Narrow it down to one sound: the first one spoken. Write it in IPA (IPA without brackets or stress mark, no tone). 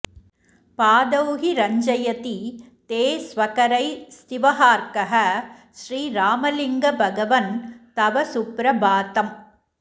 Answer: p